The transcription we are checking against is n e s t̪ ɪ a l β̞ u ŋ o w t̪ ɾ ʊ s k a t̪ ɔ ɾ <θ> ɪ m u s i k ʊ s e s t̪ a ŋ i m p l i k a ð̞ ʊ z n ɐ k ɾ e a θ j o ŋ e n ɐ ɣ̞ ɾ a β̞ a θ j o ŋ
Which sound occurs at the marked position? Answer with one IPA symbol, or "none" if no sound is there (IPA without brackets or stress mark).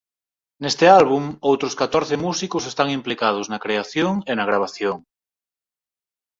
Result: θ